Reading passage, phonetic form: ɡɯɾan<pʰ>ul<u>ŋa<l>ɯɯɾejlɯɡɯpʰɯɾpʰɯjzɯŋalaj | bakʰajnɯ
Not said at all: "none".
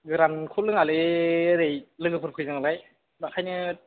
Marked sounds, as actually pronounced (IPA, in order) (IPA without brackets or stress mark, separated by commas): kʰ, ɯ, l